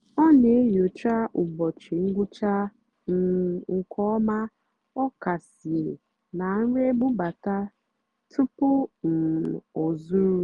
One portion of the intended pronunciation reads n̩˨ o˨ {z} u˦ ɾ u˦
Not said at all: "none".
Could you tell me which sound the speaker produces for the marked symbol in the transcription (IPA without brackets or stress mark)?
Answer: z